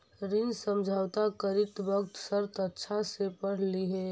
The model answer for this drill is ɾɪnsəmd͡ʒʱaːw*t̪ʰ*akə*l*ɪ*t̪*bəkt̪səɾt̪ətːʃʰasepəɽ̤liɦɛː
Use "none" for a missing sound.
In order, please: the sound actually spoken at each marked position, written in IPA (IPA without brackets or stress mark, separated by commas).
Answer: t̪, ɾ, t̪